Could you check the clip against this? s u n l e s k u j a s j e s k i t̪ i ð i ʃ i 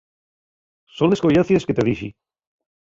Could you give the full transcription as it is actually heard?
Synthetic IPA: s o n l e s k o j a θ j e s k e t̪ e ð i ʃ i